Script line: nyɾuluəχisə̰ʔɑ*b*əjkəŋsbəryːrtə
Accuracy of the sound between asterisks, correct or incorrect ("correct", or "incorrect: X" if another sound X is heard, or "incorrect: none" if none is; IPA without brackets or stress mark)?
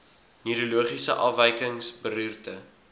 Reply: incorrect: v